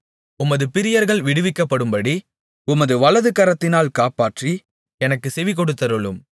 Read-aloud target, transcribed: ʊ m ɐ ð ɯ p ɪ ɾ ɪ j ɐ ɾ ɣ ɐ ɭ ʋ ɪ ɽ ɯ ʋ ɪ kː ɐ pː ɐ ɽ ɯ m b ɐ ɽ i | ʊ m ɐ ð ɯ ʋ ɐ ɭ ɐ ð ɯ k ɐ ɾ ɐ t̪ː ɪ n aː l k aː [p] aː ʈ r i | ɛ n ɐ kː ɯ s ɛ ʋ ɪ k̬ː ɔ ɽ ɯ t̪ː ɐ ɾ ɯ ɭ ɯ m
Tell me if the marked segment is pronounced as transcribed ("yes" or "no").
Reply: yes